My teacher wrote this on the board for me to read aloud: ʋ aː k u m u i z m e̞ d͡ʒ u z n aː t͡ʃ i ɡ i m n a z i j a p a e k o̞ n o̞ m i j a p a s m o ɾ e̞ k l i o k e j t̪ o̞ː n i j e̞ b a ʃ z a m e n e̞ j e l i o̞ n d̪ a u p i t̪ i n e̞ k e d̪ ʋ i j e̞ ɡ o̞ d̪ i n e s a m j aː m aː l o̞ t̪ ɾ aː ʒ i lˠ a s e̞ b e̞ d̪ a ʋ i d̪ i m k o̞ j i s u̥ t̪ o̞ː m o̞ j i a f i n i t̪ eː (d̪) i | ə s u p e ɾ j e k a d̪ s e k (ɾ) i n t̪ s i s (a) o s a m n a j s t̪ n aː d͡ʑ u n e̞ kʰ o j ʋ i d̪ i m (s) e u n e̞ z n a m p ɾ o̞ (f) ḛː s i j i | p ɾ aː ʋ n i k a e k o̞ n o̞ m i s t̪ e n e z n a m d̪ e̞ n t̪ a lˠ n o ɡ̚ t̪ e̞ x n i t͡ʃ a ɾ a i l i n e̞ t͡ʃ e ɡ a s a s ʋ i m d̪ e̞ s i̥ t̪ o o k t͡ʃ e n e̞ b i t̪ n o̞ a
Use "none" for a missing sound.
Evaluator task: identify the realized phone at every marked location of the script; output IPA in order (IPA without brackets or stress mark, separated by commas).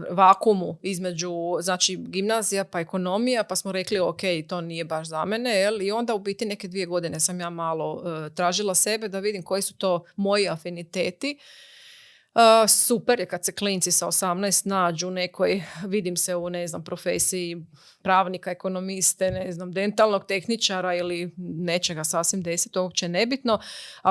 t̪, l, a, s, f